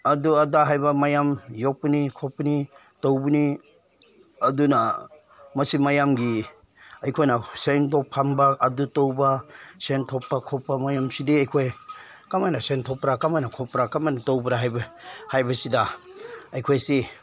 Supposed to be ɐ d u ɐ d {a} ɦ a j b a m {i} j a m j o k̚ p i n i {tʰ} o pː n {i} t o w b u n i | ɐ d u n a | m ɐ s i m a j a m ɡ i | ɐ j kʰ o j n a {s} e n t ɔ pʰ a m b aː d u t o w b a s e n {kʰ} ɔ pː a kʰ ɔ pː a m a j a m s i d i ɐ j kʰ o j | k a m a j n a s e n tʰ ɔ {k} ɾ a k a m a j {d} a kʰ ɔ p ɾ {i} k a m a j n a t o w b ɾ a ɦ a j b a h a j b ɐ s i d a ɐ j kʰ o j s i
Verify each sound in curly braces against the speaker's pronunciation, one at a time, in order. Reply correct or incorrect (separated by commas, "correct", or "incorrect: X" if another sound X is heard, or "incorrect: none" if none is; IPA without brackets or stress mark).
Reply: correct, incorrect: a, incorrect: kʰ, correct, correct, incorrect: tʰ, incorrect: p, incorrect: n, incorrect: a